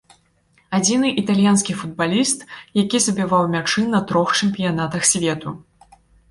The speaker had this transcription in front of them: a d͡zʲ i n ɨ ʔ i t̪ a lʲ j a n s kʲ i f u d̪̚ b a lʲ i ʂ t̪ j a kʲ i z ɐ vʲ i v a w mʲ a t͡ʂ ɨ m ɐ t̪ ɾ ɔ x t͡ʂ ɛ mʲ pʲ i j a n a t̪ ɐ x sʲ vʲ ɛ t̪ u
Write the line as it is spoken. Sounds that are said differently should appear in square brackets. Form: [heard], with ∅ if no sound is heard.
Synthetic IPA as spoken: a d͡zʲ i n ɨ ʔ i t̪ a lʲ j a n s kʲ i f u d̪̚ b a lʲ i [s] t̪ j a kʲ i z ɐ [bʲ] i v a w mʲ a t͡ʂ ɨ [n] ɐ t̪ ɾ ɔ x t͡ʂ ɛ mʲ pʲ i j a n a t̪ ɐ x sʲ vʲ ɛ t̪ u

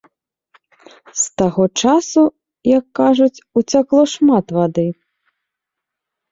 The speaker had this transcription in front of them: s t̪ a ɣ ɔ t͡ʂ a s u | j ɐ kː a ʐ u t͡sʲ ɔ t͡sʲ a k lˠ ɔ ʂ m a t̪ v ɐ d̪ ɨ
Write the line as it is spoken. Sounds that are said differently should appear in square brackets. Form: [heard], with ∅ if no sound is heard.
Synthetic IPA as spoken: s t̪ a ɣ ɔ t͡ʂ a s u | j ɐ kː a ʐ u t͡sʲ [u] t͡sʲ a k lˠ ɔ ʂ m a t̪ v [a] d̪ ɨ

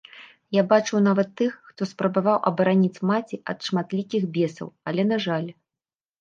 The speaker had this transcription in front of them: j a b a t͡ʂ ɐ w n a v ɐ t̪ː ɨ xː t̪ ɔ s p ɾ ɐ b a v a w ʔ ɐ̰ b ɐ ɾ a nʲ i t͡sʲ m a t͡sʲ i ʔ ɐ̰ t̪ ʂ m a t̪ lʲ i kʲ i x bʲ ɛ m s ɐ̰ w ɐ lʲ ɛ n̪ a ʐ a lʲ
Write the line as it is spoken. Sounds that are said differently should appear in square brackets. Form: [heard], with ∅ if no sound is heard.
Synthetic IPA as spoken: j a b a t͡ʂ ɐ w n a v ɐ t̪ː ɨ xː t̪ ɔ s p ɾ ɐ b a v a w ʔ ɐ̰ b ɐ ɾ a nʲ i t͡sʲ m a t͡sʲ i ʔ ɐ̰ t̪ ʂ m a t̪ lʲ i kʲ i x bʲ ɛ [∅] s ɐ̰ w ɐ lʲ ɛ n̪ a ʐ a lʲ

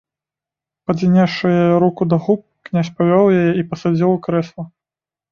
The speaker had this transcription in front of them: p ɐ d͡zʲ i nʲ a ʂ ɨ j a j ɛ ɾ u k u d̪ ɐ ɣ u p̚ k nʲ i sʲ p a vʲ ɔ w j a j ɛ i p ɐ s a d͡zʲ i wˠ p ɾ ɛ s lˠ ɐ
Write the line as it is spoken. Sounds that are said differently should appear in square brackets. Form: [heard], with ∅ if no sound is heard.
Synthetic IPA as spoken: p ɐ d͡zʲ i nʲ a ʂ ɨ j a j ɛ ɾ u k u d̪ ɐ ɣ u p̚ k nʲ [a] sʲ p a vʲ ɔ w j a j ɛ i p ɐ s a d͡zʲ i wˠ [k] ɾ ɛ s lˠ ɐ

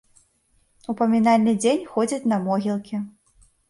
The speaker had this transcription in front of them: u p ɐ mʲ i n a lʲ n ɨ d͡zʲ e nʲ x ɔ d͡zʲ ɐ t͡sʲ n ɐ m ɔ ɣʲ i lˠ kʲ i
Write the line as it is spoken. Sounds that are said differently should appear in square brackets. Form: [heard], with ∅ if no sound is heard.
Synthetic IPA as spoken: u p ɐ mʲ i n a lʲ n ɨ d͡zʲ e nʲ x ɔ d͡zʲ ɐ t͡sʲ n ɐ m ɔ ɣʲ i lˠ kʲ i

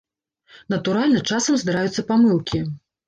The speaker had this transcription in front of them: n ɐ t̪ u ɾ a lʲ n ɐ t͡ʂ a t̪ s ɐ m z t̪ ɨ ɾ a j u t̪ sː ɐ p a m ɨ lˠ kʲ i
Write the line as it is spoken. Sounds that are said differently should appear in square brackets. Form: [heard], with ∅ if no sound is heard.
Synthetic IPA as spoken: n ɐ t̪ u ɾ a lʲ n ɐ t͡ʂ a [∅] s ɐ m z [d̪] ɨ ɾ a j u t̪ sː ɐ p a m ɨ lˠ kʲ i

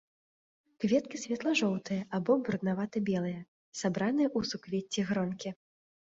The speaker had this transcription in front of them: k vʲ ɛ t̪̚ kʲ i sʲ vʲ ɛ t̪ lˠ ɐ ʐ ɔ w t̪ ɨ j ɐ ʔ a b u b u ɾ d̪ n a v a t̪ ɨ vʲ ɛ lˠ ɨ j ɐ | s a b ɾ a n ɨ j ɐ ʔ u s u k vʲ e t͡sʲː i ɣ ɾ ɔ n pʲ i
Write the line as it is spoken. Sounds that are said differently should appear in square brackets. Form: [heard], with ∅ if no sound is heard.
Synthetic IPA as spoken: k vʲ ɛ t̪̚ kʲ i sʲ vʲ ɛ t̪ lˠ ɐ ʐ ɔ w t̪ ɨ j ɐ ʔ a b [ɔ] b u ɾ d̪ n a v a t̪ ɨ [bʲ] ɛ lˠ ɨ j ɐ | s a b ɾ a n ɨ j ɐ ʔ u s u k vʲ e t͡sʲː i ɣ ɾ ɔ n [kʲ] i

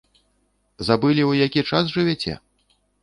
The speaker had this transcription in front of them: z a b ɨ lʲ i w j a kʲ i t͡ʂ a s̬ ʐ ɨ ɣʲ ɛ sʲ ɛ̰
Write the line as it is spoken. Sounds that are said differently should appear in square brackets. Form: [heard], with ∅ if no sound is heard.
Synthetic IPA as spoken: z a b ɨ lʲ i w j a kʲ i t͡ʂ a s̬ ʐ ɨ [vʲ] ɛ [t͡sʲ] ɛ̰

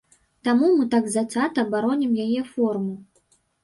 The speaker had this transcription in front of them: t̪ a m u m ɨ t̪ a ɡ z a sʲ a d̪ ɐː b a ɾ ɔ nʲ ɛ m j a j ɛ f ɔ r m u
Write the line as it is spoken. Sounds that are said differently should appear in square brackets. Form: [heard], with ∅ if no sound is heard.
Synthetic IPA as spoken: t̪ a m u m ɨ t̪ a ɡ z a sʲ a [t̪] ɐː b a ɾ ɔ nʲ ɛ m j a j ɛ f ɔ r m u

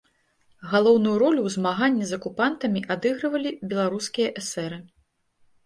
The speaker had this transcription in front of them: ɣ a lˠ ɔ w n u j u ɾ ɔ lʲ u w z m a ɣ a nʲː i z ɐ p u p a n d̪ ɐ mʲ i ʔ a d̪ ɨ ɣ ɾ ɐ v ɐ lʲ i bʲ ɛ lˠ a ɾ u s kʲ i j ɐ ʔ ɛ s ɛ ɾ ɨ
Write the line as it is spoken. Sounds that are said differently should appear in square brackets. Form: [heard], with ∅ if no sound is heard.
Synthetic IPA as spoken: ɣ a lˠ ɔ w n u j u ɾ ɔ lʲ u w z m a ɣ a nʲː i z ɐ [k] u p a n [t̪] ɐ mʲ i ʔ a d̪ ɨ ɣ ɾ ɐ v ɐ lʲ i bʲ ɛ lˠ a ɾ u s kʲ i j ɐ ʔ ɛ s ɛ ɾ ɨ

